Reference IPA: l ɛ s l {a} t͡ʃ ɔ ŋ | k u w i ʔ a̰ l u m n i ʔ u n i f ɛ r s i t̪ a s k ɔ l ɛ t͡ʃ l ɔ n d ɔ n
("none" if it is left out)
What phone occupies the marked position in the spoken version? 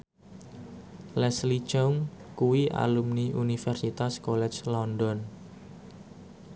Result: i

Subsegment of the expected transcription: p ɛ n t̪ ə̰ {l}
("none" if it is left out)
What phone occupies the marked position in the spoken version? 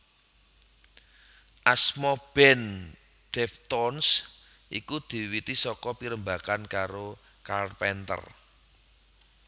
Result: r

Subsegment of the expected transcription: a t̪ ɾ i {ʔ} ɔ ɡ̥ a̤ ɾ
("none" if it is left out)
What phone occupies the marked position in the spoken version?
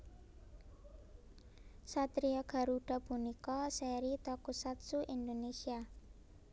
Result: none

